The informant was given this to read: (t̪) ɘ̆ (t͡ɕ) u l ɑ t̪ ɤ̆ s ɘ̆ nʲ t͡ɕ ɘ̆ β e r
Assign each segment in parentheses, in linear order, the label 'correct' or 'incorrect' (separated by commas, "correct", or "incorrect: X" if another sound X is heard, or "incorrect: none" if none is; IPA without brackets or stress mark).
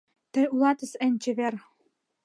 correct, incorrect: none